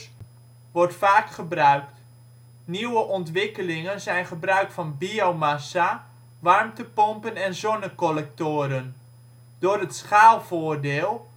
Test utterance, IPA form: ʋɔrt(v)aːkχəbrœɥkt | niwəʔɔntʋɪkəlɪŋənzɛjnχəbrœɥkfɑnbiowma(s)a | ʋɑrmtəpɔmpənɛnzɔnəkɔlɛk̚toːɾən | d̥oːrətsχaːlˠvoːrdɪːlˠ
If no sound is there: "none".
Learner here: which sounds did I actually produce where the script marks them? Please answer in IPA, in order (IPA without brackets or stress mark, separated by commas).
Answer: f, s